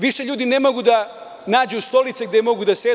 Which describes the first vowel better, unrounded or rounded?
unrounded